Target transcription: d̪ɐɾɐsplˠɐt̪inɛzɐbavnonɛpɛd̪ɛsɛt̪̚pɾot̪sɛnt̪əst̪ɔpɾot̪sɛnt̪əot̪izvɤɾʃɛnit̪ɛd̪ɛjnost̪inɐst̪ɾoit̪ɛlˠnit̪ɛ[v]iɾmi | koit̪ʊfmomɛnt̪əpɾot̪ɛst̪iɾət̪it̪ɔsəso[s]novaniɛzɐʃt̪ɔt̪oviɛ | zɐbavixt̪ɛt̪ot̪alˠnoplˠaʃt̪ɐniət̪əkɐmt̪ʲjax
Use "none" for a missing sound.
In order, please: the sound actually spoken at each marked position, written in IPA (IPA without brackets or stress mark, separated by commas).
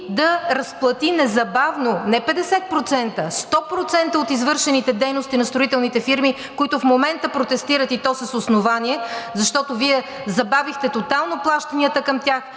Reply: f, s